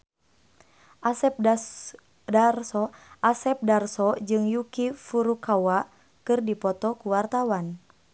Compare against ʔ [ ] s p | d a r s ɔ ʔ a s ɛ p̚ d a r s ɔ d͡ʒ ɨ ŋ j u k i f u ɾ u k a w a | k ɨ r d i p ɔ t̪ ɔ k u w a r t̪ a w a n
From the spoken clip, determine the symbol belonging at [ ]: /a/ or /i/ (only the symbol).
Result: a